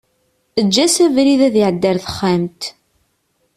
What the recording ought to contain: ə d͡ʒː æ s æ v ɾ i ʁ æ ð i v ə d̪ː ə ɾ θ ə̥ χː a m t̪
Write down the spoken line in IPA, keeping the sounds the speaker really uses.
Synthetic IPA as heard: ə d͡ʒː æ s æ v ɾ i ð æ ð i ʕ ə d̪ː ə ɾ θ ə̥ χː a m t̪